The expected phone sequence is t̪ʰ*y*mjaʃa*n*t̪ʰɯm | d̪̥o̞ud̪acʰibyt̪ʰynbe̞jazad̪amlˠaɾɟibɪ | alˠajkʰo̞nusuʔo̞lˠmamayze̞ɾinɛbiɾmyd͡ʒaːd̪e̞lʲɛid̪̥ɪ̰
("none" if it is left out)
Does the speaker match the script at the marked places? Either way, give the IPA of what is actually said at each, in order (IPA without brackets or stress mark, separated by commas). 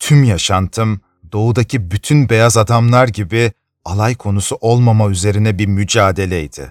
y, n